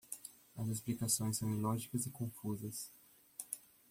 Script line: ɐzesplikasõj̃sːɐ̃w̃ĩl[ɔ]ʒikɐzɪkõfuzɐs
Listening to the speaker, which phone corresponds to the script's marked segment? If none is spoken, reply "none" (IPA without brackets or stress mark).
ɔ